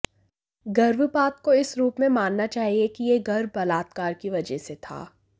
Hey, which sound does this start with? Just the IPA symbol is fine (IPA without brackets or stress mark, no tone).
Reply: ɡ